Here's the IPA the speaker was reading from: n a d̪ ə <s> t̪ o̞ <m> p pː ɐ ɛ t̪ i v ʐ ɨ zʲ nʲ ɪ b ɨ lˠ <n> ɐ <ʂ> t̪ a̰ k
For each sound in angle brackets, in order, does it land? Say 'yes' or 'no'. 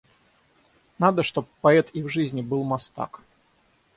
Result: no, no, no, no

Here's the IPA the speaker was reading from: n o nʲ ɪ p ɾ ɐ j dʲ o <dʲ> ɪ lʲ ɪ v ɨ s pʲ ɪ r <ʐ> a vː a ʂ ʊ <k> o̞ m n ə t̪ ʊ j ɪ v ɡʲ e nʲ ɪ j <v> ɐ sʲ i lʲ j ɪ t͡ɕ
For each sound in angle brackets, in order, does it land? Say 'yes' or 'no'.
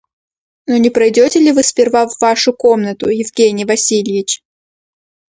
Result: no, no, yes, yes

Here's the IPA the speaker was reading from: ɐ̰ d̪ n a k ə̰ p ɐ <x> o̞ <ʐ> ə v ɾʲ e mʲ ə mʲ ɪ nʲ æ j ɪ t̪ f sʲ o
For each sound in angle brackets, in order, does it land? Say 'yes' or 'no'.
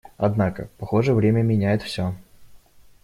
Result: yes, yes

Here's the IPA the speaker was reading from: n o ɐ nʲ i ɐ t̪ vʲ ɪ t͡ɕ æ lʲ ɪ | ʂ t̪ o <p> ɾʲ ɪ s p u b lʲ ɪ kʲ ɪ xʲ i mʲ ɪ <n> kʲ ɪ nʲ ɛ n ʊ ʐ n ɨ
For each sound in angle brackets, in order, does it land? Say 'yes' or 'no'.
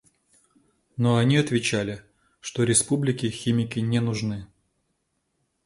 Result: no, no

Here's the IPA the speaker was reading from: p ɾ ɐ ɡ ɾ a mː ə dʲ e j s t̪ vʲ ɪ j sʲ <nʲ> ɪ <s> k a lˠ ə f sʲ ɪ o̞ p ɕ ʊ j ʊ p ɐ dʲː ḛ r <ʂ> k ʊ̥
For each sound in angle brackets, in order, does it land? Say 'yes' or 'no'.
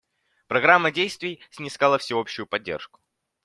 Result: yes, yes, yes

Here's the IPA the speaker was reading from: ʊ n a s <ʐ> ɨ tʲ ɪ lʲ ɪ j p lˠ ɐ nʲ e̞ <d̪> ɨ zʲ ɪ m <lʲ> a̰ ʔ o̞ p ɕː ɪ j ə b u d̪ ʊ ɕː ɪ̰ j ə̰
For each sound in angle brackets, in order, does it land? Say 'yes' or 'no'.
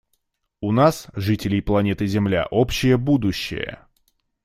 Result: yes, no, yes

